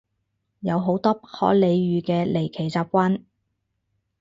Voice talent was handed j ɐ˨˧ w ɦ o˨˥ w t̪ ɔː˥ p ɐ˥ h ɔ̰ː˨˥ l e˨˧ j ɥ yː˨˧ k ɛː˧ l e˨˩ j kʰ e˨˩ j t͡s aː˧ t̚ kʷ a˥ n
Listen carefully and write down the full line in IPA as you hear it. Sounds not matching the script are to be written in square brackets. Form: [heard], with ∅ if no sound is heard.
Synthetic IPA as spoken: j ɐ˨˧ w ɦ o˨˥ w t̪ ɔː˥ p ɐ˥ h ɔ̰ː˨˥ l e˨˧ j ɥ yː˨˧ k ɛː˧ l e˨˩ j kʰ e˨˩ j t͡s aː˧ [p̚] kʷ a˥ n